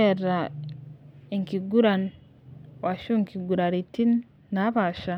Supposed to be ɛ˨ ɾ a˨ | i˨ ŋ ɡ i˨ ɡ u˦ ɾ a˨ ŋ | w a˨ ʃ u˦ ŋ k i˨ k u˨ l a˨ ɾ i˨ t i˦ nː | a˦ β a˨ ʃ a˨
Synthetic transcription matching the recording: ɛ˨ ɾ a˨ | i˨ ŋ k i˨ ɡ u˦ ɾ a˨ n | w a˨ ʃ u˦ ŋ k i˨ ɡ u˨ ɾ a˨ ɾ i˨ t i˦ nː | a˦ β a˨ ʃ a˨